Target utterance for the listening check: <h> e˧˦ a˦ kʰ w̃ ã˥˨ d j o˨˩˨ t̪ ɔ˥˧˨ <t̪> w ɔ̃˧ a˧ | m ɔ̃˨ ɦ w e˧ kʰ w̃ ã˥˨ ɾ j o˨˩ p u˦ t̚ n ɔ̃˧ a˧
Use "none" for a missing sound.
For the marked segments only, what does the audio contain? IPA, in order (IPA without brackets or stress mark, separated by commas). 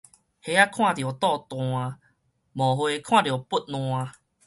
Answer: h, t̪